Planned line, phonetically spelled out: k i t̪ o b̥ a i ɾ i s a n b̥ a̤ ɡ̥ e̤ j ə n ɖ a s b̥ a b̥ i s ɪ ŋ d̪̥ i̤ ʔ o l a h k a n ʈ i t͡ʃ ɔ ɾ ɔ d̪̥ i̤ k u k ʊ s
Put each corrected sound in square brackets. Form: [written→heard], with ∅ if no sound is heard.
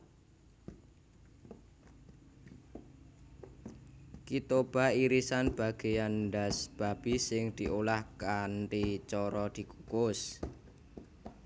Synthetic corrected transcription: k i t̪ o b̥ a i ɾ i s a n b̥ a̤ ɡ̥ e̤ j [ə→a] n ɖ a s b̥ a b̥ i s ɪ ŋ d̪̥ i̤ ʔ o l a h k a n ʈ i t͡ʃ ɔ ɾ ɔ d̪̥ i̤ k u k ʊ s